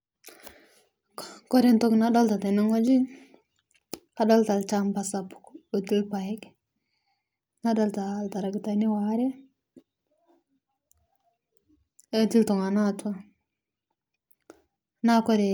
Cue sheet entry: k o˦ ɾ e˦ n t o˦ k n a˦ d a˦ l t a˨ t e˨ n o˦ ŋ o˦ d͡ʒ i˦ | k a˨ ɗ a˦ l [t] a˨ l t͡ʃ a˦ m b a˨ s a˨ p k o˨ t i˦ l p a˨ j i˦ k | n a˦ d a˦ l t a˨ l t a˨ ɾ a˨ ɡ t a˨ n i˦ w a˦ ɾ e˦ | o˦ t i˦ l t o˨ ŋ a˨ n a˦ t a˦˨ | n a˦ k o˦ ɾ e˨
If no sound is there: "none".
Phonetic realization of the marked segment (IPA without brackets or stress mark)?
t